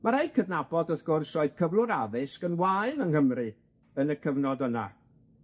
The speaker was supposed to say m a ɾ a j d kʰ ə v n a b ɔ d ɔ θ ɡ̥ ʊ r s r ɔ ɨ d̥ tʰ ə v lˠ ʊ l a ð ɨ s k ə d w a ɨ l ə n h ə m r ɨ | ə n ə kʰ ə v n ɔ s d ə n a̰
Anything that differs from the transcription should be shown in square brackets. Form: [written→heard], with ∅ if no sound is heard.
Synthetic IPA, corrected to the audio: m a ɾ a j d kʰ ə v n a b ɔ d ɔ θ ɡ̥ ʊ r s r ɔ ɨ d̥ [tʰ→kʰ] ə v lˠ ʊ [l→ɾ] a ð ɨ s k ə [d→n] w a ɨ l ə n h ə m r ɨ | ə n ə kʰ ə v n ɔ [s→∅] d ə n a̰